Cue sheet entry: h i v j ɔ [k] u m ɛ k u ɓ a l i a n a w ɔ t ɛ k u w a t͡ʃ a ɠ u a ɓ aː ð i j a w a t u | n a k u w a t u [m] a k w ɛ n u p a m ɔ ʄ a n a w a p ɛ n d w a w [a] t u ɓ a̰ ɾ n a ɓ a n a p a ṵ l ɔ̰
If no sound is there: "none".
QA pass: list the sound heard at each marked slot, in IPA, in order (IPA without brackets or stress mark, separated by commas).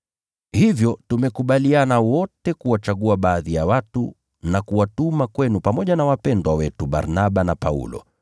t, m, ɛ